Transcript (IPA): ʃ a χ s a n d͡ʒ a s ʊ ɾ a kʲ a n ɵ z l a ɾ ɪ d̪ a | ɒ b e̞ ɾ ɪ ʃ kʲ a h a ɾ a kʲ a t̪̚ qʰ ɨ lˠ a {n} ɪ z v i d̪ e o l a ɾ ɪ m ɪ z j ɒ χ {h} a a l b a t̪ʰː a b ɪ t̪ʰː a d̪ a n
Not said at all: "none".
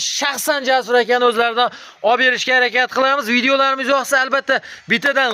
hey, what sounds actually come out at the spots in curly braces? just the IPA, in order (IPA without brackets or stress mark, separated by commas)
m, s